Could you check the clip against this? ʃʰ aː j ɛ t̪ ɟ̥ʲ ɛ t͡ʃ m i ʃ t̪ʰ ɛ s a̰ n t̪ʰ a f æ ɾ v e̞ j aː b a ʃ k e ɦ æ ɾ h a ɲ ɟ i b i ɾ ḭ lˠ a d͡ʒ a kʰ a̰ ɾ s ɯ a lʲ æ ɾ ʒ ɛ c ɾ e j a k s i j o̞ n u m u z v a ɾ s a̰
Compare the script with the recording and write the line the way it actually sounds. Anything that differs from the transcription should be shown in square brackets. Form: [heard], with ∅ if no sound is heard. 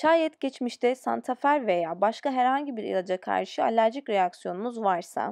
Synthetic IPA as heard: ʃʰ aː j ɛ t̪ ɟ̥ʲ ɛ t͡ʃ m i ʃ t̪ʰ ɛ s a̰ n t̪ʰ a f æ ɾ v e̞ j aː b a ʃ k [a] ɦ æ ɾ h a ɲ ɟ i b i ɾ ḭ lˠ a d͡ʒ a kʰ a̰ ɾ [ʃ] ɯ a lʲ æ ɾ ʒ [i] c ɾ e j a k s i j o̞ n u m u z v a ɾ s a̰